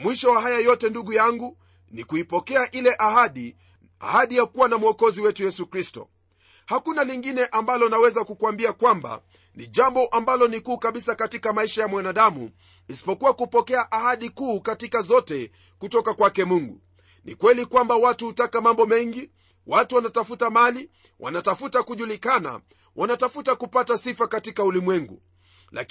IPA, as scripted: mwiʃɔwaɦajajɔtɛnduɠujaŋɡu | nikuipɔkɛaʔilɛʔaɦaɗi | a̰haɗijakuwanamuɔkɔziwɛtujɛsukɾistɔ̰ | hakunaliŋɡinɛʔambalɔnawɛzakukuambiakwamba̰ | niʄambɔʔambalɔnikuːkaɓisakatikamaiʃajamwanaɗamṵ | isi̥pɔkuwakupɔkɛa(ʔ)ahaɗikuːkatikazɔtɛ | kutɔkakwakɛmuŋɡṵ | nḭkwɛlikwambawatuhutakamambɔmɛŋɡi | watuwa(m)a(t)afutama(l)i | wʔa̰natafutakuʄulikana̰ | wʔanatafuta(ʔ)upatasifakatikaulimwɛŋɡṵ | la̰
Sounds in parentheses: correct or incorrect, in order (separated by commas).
correct, incorrect, correct, correct, incorrect